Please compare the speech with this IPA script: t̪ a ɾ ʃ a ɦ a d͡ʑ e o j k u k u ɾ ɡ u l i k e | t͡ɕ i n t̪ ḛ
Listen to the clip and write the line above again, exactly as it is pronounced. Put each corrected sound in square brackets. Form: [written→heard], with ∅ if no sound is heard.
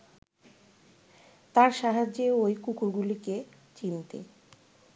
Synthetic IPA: t̪ a ɾ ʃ a ɦ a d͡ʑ e o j k u k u ɾ ɡ u l i k e | t͡ɕ i n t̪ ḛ